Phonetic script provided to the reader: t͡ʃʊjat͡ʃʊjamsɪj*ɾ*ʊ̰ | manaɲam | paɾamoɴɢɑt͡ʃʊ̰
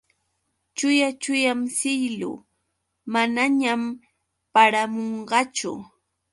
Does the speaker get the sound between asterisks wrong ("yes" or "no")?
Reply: yes